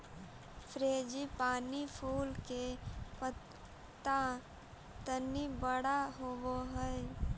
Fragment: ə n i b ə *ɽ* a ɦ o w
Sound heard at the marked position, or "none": ɽ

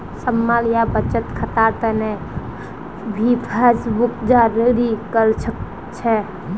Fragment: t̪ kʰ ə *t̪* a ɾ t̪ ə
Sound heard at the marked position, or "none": t̪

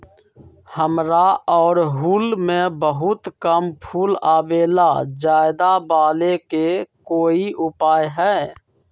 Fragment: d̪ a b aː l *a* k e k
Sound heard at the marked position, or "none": e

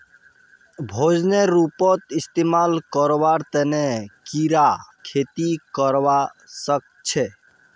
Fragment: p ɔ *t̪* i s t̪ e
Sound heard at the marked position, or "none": t̪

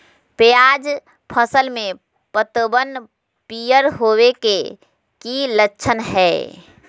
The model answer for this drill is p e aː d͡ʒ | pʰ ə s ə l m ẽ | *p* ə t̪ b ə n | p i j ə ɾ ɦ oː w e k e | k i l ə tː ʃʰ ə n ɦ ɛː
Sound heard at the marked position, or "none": p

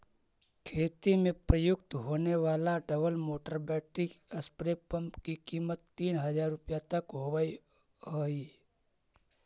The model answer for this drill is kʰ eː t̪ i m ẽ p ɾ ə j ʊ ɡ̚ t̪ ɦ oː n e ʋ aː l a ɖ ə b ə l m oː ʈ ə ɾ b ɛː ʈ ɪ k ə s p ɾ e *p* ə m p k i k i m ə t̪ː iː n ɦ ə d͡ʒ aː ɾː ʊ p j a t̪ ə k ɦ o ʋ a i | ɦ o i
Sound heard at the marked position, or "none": p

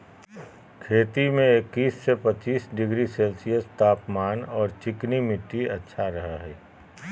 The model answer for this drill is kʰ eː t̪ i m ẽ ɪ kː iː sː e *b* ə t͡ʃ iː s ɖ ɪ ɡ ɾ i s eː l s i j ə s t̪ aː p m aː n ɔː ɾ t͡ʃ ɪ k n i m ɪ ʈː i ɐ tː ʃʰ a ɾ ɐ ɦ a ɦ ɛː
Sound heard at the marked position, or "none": p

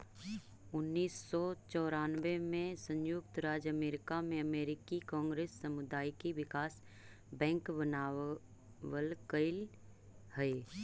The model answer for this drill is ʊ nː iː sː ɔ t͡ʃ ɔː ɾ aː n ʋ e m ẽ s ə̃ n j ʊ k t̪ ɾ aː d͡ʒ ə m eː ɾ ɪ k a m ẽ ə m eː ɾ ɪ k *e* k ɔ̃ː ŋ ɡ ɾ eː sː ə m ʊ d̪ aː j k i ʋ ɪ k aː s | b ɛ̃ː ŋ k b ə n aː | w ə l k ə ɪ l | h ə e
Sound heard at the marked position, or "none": i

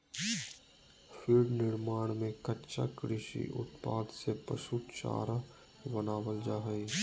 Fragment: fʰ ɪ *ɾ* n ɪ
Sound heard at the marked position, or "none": ɾ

